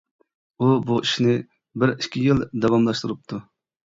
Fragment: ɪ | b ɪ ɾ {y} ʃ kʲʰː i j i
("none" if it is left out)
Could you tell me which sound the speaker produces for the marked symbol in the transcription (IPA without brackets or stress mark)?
i